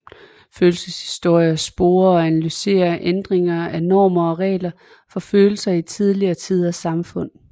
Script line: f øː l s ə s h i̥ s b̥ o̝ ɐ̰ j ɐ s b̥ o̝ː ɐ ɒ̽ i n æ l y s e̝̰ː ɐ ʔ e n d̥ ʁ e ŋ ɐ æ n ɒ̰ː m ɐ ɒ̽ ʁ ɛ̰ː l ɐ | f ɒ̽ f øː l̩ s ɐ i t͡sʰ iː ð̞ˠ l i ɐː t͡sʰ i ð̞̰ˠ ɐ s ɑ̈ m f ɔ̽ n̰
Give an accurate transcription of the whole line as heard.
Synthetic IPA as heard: f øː l s ə s h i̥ s d̥ o̝ ɐ̰ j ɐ s b̥ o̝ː ɐ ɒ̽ æ n æ l y s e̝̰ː ɐ ʔ e n d̥ ʁ e ŋ ɐ æ n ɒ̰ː m ɐ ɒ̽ ʁ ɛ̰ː l ɐ | f ɒ̽ f øː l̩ s ɐ i t͡sʰ i ð̞ˠ l i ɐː t͡sʰ i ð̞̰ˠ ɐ s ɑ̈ m f ɔ̽ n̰